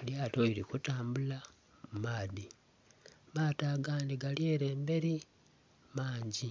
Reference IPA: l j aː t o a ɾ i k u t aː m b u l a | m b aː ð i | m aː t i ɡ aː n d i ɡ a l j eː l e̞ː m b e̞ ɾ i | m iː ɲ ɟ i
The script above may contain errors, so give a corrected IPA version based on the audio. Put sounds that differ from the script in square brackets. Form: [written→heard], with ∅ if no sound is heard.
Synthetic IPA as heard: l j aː t o [a→i] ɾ i k u t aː m b u l a | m [b→m] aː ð i | m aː t [i→a] ɡ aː n d i ɡ a l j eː [l→ɾ] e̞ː m b e̞ ɾ i | m [iː→aː] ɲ ɟ i

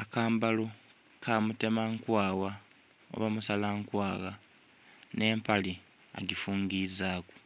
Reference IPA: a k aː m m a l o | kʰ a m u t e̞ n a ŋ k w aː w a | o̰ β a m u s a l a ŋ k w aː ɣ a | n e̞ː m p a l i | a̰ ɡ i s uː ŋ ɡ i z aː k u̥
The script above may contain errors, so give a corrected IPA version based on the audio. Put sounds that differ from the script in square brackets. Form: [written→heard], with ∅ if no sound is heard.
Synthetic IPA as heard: a k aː m [m→b] a l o | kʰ a m u t e̞ [n→m] a ŋ k w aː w a | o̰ β a m u s a l a ŋ k w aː ɣ a | n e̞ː m p a l i | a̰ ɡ i [s→f] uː ŋ ɡ i z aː k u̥

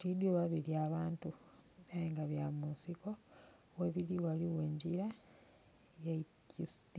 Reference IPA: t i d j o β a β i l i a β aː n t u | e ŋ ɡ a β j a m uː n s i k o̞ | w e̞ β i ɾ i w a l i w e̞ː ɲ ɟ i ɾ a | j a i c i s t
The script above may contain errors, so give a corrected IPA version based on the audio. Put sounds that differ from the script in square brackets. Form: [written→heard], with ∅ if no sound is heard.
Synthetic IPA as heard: t i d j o β a β i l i a β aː n t u | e ŋ ɡ a β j a m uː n s i k o̞ | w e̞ β i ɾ i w a l i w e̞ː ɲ ɟ i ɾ a | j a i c i s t

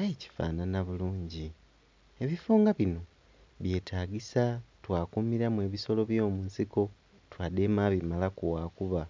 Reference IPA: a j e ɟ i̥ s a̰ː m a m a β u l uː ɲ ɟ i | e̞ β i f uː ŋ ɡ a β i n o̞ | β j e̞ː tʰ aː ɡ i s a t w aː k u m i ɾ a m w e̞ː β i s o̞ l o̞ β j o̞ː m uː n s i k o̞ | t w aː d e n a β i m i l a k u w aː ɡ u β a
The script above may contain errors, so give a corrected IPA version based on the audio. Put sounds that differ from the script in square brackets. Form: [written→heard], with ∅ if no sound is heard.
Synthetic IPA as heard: a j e [ɟ→c] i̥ [s→f] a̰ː [m→n] a [m→n] a β u l uː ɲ ɟ i | e̞ β i f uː ŋ ɡ a β i n o̞ | β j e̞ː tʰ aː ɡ i s a t w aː k u m i ɾ a m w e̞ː β i s o̞ l o̞ β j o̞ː m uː n s i k o̞ | t w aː d e [n→m] a β i m [i→a] l a k u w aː [ɡ→k] u β a

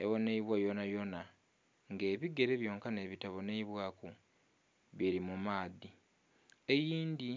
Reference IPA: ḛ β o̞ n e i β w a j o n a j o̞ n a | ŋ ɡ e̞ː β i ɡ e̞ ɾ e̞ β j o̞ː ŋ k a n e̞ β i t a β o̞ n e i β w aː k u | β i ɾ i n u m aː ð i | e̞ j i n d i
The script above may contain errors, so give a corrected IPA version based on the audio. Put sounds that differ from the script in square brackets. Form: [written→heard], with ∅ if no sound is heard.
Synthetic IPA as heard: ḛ β o̞ n e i β w a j o n a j o̞ n a | ŋ ɡ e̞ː β i ɡ e̞ ɾ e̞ β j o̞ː ŋ k a n e̞ β i t a β o̞ n e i β w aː k u | β i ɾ i [n→m] u m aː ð i | e̞ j [i→iː] n d i

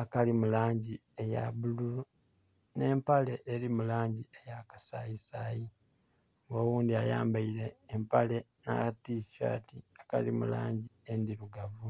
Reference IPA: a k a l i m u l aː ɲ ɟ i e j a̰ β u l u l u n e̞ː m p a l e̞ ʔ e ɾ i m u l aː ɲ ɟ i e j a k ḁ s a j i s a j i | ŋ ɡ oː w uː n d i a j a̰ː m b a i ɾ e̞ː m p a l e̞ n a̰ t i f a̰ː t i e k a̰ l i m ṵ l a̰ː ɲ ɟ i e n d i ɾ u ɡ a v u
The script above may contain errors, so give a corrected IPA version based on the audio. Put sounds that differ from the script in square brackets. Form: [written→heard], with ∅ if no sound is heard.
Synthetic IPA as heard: a k a l i m u l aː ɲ ɟ i e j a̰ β u l u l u n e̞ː m p a l e̞ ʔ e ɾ i m u l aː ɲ ɟ i e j a k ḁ s a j i s a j i | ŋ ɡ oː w uː n d i a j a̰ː m b a i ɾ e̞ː m p a l e̞ n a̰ t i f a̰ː t i [e→a] k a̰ l i m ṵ l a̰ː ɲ ɟ i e n d i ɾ u ɡ a v u

